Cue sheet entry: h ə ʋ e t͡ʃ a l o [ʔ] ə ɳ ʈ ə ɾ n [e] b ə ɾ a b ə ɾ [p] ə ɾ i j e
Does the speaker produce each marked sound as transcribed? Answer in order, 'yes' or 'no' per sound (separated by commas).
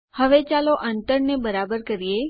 yes, yes, no